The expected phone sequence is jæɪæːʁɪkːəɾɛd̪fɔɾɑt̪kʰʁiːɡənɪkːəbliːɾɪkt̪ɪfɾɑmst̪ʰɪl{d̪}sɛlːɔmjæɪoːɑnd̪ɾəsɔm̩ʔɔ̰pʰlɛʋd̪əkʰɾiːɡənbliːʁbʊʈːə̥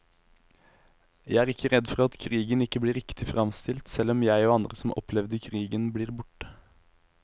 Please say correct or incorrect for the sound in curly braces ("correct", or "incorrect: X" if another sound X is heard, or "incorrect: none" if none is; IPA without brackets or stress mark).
incorrect: t̪